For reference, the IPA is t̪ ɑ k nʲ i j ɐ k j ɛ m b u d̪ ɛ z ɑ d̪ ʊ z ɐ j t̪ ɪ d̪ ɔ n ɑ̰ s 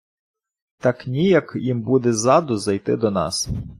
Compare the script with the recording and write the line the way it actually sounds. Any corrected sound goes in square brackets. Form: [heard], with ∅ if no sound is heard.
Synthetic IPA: t̪ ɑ k nʲ i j ɐ k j [i] m b u d̪ ɛ z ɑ d̪ ʊ z ɐ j t̪ ɪ d̪ ɔ n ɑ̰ s